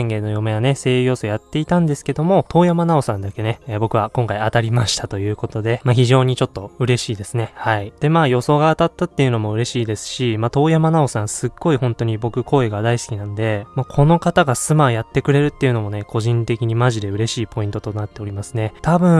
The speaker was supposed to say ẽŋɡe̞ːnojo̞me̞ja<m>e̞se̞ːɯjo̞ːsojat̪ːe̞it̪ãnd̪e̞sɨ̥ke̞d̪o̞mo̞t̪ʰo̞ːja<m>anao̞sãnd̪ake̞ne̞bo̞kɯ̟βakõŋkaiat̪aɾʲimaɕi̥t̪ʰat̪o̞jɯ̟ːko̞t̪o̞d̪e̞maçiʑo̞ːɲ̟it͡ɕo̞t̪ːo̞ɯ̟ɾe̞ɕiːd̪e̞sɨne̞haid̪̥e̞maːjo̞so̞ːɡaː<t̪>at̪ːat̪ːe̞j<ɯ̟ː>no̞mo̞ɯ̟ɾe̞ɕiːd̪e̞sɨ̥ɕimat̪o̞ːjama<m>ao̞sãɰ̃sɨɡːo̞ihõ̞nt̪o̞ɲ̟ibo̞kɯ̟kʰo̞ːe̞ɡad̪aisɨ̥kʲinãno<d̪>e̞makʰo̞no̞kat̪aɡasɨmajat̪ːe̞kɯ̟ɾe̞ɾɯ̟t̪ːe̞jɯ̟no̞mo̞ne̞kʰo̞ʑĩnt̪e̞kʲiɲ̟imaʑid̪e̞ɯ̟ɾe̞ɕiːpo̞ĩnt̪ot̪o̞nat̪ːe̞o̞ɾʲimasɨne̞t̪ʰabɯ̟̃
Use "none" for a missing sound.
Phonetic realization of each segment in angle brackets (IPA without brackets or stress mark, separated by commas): n, m, t̪, ɯ̟, n, d̪